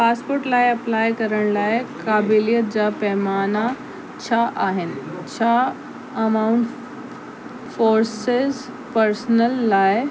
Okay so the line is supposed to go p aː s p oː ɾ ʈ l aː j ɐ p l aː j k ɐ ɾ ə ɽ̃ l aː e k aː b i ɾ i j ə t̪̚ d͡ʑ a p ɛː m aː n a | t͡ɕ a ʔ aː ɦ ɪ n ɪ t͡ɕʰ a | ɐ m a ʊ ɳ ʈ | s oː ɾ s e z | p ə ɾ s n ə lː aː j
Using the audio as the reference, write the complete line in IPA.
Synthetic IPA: p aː s p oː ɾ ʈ l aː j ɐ p l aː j k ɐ ɾ ə ɽ̃ l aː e k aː b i l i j ə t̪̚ d͡ʑ a p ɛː m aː n a | t͡ɕʰ a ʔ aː ɦ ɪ n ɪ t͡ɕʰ a | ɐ m a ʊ ɳ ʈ | f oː ɾ s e z | p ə ɾ s n ə lː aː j

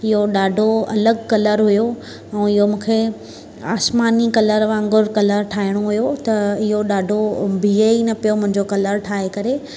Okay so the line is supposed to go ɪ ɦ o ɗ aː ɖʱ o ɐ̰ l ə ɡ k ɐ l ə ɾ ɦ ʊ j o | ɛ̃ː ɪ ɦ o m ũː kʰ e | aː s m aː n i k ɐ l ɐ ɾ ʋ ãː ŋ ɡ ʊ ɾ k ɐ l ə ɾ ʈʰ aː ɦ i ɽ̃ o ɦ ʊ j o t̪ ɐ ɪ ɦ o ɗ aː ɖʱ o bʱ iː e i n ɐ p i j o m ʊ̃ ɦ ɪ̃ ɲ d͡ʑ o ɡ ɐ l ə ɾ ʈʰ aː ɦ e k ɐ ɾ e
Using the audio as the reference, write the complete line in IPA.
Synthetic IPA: ɪ ɦ o ɗ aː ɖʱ o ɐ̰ l ə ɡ k ɐ l ə ɾ ɦ ʊ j o | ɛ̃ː ɪ ɦ o m ũː kʰ e | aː s m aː n i k ɐ l ə ɾ ʋ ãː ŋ ɡ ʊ ɾ k ɐ l ə ɾ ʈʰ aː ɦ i ɽ̃ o ɦ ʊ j o t̪ ɐ ɪ ɦ o ɗ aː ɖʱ o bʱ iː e i n ɐ p i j o m ʊ̃ ɦ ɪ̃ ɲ d͡ʑ o k ɐ l ə ɾ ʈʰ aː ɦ e k ɐ ɾ e

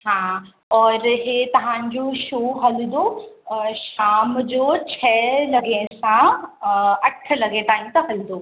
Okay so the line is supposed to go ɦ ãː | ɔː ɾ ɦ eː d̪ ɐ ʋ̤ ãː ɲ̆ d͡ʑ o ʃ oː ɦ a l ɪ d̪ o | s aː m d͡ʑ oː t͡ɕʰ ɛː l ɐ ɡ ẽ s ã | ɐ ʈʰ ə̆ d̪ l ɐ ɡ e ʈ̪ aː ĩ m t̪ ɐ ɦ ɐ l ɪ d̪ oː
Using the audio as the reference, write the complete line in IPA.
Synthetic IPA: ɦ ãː | ɔː ɾ ɦ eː t̪ ɐ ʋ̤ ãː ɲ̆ d͡ʑ o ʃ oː ɦ ɐ l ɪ d̪ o | ʃ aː m d͡ʑ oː t͡ɕʰ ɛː l ɐ ɡ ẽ s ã | ɐ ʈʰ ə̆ l ɐ ɡ e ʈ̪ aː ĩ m t̪ ɐ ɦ ɐ l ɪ d̪ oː

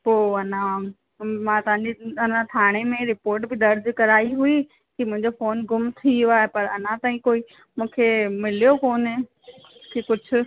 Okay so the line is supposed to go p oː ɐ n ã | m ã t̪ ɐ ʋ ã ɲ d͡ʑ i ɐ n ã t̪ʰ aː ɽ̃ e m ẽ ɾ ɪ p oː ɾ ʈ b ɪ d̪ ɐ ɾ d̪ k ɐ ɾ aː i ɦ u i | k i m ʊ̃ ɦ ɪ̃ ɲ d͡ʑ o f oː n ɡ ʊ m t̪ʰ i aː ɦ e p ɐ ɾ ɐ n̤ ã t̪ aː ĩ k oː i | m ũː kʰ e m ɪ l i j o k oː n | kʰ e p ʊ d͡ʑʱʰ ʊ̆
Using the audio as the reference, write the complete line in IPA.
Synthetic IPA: p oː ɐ n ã | m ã t̪ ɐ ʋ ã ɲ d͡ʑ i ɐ n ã t̪ʰ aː ɽ̃ e m ẽ ɾ ɪ p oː ɾ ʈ b ɪ d̪ ɐ ɾ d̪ k ɐ ɾ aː i ɦ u i | k i m ʊ̃ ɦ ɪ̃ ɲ d͡ʑ o f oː n ɡ ʊ m t̪ʰ i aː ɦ e p ɐ ɾ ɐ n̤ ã t̪ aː ĩ k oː i | m ũː kʰ e m ɪ l i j o k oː n | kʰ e k ʊ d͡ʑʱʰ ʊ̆

